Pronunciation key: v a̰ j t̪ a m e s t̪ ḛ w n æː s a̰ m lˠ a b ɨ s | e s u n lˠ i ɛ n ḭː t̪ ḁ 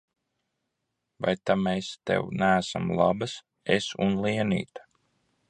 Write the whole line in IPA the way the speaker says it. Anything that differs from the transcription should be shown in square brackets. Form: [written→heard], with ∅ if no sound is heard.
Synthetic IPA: v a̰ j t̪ a m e s t̪ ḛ w n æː s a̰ m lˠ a b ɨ s | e s u n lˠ i ɛ n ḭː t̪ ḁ